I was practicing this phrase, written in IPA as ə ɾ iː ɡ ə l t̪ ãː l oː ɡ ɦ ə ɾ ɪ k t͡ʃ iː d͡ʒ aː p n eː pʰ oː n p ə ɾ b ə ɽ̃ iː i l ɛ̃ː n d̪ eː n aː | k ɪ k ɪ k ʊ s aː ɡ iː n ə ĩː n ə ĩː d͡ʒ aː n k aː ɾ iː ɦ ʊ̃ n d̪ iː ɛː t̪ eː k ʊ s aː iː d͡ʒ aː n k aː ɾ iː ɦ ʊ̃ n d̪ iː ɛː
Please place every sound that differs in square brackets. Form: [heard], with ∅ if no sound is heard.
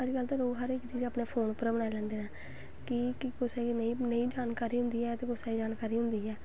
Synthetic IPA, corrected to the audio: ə ɾ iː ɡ ə l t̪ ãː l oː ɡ ɦ ə ɾ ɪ k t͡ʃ iː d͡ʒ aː p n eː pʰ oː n p ə ɾ b ə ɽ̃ [aː] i l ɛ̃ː n d̪ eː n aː | k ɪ k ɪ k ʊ s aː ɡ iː n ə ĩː n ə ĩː d͡ʒ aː n k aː ɾ iː ɦ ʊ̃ n d̪ iː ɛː t̪ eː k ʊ s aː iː d͡ʒ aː n k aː ɾ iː ɦ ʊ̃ n d̪ iː ɛː